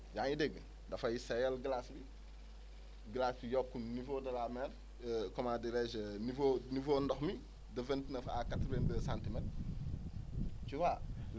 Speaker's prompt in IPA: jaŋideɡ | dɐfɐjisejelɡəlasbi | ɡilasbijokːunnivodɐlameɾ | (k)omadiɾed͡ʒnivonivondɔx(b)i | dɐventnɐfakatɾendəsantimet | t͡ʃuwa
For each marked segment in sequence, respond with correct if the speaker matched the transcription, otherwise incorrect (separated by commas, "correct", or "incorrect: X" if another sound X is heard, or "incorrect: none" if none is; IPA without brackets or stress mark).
correct, incorrect: m